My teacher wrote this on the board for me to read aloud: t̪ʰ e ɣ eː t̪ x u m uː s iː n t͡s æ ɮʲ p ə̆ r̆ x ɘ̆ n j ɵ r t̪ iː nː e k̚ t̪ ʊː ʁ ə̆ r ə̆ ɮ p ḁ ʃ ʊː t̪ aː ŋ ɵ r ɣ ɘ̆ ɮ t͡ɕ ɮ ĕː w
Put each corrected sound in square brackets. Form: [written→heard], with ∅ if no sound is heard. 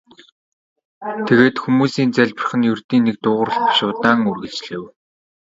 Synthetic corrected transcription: t̪ʰ e ɣ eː t̪ x u m uː s iː n t͡s æ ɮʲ p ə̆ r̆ [x→χ] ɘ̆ n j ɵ r t̪ iː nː e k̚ t̪ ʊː ʁ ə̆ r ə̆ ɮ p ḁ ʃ ʊː t̪ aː ŋ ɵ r ɣ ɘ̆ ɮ t͡ɕ ɮ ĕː w